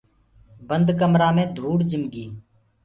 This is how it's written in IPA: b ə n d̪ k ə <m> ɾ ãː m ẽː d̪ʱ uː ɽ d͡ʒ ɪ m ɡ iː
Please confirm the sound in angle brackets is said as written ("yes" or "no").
yes